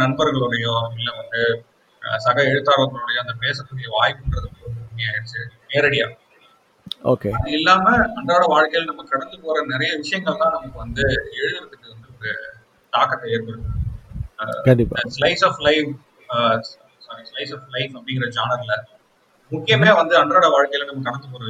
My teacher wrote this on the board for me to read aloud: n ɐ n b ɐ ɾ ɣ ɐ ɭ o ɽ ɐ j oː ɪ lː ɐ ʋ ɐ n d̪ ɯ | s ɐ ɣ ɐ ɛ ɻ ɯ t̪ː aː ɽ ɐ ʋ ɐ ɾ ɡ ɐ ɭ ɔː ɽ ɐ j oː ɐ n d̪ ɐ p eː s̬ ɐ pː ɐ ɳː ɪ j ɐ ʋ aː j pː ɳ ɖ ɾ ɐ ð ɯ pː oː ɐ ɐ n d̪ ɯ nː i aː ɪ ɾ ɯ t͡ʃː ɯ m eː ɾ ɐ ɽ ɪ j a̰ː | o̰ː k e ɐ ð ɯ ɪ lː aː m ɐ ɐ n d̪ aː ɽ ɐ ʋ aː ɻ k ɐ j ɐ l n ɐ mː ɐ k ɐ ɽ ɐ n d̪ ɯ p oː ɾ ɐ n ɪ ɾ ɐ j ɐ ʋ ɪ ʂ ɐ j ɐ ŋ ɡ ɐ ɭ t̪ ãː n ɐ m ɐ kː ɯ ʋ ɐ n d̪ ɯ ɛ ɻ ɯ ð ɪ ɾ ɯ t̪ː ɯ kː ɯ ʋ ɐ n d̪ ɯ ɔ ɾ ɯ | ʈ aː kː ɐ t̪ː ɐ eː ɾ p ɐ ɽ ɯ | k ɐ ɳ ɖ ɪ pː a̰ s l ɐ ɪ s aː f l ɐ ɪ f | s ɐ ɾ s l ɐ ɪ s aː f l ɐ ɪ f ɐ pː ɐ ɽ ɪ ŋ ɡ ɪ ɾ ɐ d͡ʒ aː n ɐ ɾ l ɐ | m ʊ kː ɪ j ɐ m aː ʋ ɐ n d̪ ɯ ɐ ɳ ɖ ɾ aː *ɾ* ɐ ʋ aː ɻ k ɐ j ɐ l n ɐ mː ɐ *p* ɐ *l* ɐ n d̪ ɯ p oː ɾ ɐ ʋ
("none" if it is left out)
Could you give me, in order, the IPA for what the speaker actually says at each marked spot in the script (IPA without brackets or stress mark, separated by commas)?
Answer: ɽ, k, ɽ